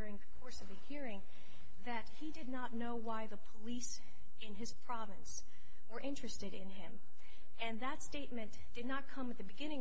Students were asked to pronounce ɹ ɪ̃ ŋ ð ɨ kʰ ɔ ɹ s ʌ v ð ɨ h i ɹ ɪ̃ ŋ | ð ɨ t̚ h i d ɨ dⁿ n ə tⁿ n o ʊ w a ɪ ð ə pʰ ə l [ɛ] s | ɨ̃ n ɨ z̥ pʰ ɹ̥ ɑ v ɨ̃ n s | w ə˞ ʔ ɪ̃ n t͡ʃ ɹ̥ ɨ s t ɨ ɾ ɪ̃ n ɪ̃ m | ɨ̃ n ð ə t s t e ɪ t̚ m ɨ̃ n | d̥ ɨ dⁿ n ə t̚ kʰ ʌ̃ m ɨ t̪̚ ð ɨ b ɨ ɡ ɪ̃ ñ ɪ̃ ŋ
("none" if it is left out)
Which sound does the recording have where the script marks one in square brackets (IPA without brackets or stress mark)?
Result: i